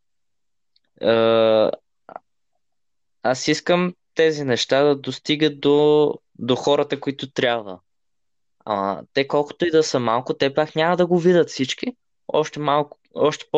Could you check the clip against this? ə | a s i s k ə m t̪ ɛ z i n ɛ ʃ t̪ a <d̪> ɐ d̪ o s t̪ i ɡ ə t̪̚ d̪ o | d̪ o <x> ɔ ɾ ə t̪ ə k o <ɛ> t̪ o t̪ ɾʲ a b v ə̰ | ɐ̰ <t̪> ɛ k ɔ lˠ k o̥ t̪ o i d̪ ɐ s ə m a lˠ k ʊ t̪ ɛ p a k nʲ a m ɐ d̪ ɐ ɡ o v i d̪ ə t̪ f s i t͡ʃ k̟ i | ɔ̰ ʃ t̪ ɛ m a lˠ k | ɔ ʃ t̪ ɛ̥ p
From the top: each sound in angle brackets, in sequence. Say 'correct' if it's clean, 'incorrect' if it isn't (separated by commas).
correct, correct, incorrect, correct